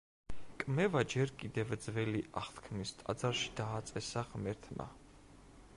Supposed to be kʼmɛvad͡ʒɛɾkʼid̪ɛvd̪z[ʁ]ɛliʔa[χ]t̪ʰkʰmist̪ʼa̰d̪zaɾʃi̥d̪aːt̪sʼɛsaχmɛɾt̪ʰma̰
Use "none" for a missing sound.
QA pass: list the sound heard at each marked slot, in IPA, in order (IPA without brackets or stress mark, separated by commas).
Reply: v, χ